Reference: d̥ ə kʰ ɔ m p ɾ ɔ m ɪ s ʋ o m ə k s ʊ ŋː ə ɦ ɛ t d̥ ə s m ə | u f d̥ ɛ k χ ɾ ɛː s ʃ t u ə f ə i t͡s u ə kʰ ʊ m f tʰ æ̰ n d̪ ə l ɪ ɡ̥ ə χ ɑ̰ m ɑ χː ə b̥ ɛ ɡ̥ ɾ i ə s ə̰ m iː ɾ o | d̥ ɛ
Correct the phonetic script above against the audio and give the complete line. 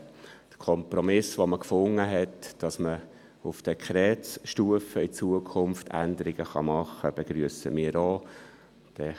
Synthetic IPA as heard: d̥ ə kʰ ɔ m p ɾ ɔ m ɪ s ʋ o m ə k f ʊ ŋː ə ɦ ɛ t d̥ ɑ s m ə | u f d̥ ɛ k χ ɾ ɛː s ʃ t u ə f ə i t͡s u ə kʰ ʊ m f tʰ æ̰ n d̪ ə ɾ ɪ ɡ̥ ə χ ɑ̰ m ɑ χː ə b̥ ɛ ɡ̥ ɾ y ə s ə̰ m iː ɾ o | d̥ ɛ